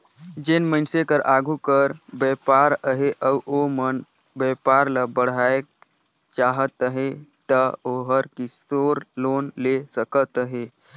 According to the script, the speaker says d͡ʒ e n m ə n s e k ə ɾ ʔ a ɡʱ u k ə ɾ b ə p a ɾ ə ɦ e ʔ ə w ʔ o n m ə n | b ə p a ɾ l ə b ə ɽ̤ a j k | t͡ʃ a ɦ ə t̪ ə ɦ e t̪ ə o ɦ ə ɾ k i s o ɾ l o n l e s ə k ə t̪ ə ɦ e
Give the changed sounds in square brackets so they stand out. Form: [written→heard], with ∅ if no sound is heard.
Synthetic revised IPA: d͡ʒ e n m ə n s e k ə ɾ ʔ a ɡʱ u k ə ɾ b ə p a ɾ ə ɦ e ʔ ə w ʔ o [n→∅] m ə n | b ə p a ɾ l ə b ə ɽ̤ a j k | t͡ʃ a ɦ ə t̪ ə ɦ e t̪ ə o ɦ ə ɾ k i s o ɾ l o n l e s ə k ə t̪ ə ɦ e

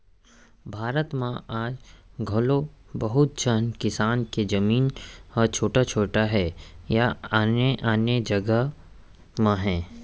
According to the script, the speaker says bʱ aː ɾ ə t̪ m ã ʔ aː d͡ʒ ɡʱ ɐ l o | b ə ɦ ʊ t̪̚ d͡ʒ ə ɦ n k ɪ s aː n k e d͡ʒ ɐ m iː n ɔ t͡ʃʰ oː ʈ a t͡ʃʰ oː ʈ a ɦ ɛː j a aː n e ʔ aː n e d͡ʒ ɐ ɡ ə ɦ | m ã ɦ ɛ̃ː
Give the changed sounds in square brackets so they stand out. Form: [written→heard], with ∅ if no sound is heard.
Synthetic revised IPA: bʱ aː ɾ ə t̪ m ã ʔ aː d͡ʒ ɡʱ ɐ l o | b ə ɦ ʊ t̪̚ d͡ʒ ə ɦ n k ɪ s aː n k e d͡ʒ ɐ m iː n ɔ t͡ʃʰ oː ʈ a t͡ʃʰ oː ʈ a ɦ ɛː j a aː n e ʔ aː n e d͡ʒ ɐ ɡ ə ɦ | m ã ɦ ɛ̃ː

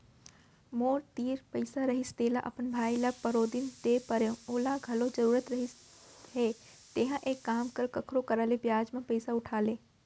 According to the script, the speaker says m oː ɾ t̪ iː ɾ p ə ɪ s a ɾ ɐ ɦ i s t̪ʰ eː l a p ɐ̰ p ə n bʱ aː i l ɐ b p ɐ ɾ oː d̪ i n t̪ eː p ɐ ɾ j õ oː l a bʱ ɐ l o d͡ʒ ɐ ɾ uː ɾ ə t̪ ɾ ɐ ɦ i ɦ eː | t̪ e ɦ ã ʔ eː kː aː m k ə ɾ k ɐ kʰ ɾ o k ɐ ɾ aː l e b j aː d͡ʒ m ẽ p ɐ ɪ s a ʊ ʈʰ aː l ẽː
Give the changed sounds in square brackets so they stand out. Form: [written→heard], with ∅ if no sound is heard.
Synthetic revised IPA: m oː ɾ t̪ iː ɾ p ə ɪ s a ɾ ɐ ɦ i s [t̪ʰ→t̪] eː l a [p→ʔ] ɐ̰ p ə n bʱ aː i l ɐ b p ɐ ɾ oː d̪ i n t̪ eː p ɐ ɾ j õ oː l a [bʱ→ɡʱ] ɐ l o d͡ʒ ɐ ɾ uː ɾ ə t̪ ɾ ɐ ɦ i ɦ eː | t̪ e ɦ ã ʔ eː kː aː m k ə ɾ k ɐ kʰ ɾ o k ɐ ɾ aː l e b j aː d͡ʒ m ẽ p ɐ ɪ s a ʊ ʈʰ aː l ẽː

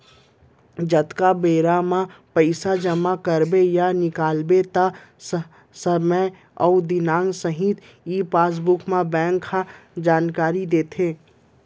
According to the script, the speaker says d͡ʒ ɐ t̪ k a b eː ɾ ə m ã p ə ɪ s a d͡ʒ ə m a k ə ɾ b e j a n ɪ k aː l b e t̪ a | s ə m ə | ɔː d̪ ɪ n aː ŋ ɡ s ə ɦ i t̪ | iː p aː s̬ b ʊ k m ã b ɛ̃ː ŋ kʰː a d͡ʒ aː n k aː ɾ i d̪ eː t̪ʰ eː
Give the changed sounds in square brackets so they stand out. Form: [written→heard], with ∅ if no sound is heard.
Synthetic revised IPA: d͡ʒ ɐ t̪ k a b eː ɾ [ə→a] m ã p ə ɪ s a d͡ʒ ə m a k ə ɾ b e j a n ɪ k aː l b e t̪ a | s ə m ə | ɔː d̪ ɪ n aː ŋ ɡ s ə ɦ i t̪ | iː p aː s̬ b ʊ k m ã b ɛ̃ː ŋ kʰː a d͡ʒ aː n k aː ɾ i d̪ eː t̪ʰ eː

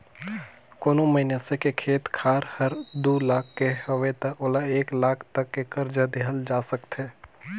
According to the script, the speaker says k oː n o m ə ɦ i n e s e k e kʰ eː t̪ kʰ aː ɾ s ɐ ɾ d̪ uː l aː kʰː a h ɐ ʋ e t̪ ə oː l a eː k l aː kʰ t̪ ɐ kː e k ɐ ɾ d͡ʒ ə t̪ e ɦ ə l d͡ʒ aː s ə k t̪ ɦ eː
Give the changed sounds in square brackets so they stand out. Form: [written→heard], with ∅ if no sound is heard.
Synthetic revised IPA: k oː n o m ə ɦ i n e s e k e kʰ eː t̪ kʰ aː ɾ [s→h] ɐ ɾ d̪ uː l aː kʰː [a→e] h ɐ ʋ e t̪ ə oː l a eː k l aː kʰ t̪ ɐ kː e k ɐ ɾ d͡ʒ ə [t̪→d̪] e ɦ ə l d͡ʒ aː s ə k t̪ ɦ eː

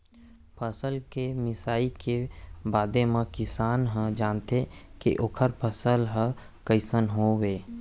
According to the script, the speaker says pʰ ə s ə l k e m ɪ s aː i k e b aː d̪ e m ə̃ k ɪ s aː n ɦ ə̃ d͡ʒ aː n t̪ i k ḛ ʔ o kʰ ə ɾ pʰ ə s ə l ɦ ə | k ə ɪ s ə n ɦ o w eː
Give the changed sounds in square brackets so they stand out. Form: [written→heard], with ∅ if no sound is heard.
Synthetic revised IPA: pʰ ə s ə l k e m ɪ s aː i k e b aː d̪ e m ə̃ k ɪ s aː n ɦ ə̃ d͡ʒ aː n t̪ [i→e] k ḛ ʔ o kʰ ə ɾ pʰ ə s ə l ɦ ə | k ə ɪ s ə n ɦ o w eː

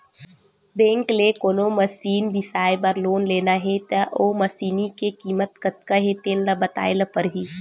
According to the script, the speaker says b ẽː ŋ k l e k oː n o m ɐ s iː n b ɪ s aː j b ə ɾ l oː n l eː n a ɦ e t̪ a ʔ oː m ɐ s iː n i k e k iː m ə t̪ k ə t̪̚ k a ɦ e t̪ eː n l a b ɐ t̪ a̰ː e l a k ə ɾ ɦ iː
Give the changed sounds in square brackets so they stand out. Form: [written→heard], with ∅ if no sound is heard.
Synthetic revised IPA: b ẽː ŋ k l e k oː n o m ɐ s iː n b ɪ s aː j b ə ɾ l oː n l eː n a ɦ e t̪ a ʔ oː m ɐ s iː n i k e k iː m ə t̪ k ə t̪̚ k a ɦ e t̪ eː n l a b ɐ t̪ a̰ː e l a [k→p] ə ɾ ɦ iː

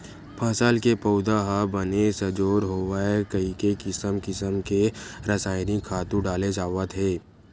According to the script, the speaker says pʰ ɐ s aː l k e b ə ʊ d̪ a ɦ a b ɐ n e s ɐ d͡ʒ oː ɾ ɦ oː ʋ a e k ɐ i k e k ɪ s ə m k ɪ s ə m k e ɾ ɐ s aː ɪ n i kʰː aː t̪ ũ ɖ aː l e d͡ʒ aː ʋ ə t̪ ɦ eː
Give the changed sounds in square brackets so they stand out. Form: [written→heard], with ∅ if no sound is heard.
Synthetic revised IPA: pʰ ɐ s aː l k e [b→p] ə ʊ d̪ a ɦ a b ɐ n e s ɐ d͡ʒ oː ɾ ɦ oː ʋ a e k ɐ i k e k ɪ s ə m k ɪ s ə m k e ɾ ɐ s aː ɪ n i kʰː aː t̪ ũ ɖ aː l e d͡ʒ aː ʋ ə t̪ ɦ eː

